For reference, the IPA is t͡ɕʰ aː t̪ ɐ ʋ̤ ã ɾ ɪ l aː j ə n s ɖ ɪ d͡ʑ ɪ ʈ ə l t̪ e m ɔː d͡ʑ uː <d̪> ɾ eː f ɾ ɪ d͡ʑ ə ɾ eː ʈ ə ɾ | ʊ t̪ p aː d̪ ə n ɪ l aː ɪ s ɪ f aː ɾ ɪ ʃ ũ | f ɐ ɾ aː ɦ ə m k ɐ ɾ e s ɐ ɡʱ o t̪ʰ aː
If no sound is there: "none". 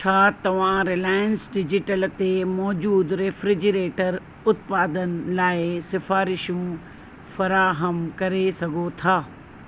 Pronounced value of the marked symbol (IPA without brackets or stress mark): d̪